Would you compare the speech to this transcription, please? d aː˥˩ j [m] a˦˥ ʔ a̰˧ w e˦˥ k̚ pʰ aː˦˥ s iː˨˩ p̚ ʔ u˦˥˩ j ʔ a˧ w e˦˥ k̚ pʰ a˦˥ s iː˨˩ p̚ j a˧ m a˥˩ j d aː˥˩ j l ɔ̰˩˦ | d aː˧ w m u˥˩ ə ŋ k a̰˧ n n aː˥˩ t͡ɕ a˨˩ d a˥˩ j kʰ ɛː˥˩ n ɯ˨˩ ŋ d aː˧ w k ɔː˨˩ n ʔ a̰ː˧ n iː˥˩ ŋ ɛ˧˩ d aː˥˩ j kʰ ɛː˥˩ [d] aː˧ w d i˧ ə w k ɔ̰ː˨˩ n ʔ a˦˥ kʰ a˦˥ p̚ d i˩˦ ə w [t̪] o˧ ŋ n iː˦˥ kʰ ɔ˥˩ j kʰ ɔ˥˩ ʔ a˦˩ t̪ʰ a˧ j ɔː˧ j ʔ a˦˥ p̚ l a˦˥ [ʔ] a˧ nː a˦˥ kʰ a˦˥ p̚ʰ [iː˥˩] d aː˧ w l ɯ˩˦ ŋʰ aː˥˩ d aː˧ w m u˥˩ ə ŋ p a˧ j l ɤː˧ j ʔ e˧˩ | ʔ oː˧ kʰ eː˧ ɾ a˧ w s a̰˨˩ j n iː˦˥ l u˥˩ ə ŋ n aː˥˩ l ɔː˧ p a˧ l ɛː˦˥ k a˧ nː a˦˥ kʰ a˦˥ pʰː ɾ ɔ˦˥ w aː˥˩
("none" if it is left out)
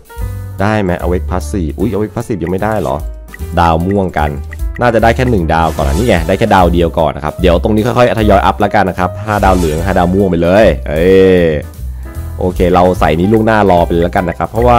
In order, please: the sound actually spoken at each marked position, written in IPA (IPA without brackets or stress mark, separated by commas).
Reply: m, d, t̪, k, aː˥˩